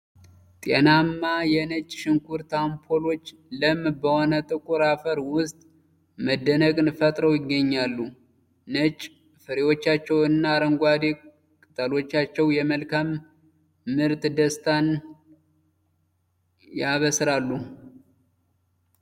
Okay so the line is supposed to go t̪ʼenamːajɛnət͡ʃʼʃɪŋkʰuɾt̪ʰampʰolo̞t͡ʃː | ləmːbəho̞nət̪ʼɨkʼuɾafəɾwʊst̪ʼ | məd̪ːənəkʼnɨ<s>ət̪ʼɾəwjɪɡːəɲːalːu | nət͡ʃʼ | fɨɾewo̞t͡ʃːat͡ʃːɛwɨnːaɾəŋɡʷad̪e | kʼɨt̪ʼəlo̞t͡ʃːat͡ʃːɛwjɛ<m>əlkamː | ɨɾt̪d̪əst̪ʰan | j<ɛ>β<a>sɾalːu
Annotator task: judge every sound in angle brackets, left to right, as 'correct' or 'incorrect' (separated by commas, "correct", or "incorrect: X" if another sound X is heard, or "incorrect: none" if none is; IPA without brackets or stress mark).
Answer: incorrect: f, correct, incorrect: a, incorrect: ə